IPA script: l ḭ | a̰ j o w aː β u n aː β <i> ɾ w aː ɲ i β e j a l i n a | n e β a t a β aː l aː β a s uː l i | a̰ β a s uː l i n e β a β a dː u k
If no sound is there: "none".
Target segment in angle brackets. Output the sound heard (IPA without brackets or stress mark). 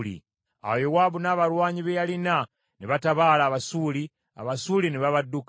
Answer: a